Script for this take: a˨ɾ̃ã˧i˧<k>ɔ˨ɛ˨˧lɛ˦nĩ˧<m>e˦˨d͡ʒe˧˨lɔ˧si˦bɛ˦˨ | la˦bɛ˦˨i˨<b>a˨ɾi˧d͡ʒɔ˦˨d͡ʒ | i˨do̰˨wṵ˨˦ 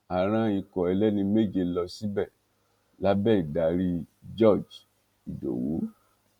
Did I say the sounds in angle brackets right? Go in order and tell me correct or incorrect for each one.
correct, correct, incorrect

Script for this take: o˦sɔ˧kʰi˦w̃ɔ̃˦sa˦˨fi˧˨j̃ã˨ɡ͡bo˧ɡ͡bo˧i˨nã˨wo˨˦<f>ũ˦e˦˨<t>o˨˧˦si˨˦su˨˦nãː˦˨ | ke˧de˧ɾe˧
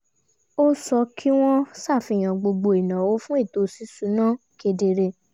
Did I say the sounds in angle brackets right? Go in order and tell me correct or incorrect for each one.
correct, correct

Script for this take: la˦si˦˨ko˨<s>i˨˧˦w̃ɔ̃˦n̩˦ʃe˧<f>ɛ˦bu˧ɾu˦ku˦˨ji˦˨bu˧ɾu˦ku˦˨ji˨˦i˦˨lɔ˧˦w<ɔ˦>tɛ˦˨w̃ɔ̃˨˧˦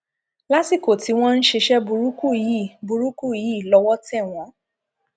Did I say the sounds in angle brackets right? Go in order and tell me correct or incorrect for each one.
incorrect, incorrect, correct

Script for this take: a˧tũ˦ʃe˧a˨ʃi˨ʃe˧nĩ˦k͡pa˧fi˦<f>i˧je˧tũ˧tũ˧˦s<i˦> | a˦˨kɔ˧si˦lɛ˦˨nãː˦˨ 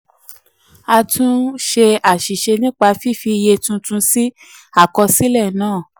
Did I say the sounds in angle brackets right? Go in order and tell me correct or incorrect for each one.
correct, correct

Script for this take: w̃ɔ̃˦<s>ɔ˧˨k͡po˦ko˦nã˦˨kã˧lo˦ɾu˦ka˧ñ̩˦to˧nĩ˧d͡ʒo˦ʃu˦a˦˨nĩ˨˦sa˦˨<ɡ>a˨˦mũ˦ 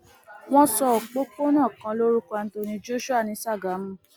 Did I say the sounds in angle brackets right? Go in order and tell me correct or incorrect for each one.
correct, correct

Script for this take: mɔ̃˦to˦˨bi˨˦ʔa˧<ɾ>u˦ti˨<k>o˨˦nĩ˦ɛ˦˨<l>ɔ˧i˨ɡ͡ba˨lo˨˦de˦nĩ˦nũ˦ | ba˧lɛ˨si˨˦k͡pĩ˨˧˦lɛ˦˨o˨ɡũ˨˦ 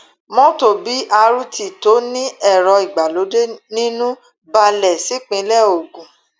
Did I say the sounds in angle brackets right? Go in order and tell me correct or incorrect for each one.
correct, incorrect, incorrect

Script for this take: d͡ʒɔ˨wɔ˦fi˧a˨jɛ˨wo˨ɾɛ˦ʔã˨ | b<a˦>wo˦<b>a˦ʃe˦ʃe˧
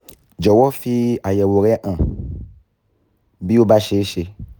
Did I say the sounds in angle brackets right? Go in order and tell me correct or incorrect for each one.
incorrect, correct

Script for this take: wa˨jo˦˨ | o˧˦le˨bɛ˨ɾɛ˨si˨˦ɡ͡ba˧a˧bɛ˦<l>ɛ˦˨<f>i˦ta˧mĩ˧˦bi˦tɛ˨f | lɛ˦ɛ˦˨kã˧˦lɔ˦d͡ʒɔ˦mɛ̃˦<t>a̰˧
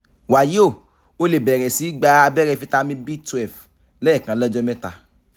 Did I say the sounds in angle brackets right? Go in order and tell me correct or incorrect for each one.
incorrect, correct, correct

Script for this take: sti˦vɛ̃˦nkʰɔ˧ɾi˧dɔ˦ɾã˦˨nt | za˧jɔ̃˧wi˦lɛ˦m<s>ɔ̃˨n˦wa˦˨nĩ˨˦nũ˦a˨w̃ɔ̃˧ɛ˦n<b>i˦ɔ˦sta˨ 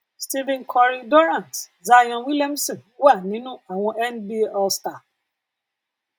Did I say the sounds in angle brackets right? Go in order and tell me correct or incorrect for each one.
correct, correct

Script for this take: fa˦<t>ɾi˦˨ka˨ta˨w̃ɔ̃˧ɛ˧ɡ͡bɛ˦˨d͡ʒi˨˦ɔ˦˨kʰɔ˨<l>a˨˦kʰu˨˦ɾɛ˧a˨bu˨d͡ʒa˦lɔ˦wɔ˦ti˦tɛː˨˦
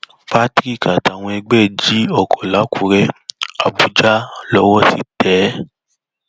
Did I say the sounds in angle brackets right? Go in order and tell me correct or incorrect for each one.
correct, correct

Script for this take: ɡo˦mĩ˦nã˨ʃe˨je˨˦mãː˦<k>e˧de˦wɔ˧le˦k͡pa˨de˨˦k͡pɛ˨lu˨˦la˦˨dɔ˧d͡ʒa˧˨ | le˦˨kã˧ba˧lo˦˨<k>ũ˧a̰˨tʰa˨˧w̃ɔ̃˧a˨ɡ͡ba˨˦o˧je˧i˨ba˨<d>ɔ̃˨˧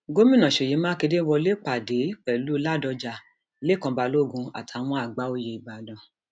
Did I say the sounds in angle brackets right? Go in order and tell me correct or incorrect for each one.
correct, incorrect, correct

